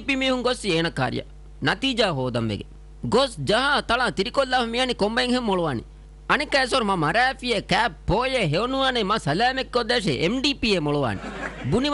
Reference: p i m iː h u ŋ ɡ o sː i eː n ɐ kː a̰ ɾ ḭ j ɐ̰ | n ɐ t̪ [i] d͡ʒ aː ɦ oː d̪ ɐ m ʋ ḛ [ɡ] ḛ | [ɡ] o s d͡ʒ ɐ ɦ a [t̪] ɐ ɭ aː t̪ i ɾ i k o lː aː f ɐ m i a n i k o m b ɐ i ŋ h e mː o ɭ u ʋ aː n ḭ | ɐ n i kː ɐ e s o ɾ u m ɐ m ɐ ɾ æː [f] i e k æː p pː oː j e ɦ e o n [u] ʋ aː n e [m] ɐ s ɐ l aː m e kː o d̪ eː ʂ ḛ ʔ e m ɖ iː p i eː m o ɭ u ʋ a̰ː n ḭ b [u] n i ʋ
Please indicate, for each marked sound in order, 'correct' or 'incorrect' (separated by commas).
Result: incorrect, correct, correct, correct, correct, correct, correct, correct